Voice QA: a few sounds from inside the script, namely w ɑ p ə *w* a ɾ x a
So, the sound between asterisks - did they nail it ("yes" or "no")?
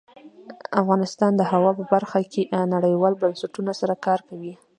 no